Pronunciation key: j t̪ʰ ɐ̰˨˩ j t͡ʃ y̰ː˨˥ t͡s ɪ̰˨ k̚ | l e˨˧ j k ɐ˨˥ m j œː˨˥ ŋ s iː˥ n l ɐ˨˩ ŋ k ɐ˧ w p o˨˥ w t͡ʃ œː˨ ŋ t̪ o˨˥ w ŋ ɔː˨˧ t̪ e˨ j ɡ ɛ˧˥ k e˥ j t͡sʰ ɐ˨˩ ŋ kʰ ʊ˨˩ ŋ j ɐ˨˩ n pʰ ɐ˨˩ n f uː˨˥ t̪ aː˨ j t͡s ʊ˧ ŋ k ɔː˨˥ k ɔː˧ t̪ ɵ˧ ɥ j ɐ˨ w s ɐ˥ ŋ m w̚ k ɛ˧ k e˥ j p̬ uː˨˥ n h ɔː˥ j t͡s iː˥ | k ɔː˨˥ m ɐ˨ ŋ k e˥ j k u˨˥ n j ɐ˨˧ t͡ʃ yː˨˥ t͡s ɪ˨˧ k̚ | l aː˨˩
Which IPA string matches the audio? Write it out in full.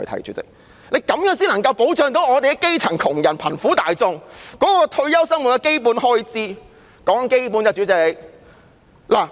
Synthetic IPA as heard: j t̪ʰ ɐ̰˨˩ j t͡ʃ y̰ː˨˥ t͡s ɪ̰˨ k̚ | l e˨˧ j k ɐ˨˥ m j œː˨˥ ŋ s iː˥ n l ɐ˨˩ ŋ k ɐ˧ w p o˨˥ w t͡ʃ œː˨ ŋ t̪ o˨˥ w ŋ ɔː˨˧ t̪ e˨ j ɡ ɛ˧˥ k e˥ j t͡sʰ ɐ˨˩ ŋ kʰ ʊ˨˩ ŋ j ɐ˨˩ n pʰ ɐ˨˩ n f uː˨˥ t̪ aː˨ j t͡s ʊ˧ ŋ k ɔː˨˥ k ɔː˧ t̪ʰ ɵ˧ ɥ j ɐ˥ w s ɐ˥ ŋ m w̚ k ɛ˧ k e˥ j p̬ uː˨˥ n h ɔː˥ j t͡s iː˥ | k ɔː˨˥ ŋ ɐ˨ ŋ k e˥ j p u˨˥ n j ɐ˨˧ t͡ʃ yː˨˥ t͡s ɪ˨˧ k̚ | l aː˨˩